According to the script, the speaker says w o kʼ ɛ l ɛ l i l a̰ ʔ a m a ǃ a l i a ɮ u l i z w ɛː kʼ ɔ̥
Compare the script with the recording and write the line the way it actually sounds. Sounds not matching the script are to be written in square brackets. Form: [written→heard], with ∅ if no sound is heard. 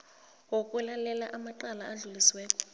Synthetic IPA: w o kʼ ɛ l [ɛ→a] l [i→ɛ] l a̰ ʔ a m a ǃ a l [i→a] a ɮ u l i [z→s] w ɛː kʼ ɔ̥